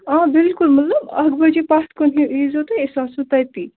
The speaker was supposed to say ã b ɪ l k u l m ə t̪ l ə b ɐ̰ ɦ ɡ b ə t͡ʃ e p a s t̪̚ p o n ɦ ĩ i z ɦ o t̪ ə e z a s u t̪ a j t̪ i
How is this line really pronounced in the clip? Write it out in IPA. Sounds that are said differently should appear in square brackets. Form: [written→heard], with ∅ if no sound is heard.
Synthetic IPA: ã b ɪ l k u l m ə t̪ l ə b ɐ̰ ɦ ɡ b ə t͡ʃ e p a s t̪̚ [p→k] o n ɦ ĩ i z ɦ o t̪ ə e [z→s] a s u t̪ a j t̪ i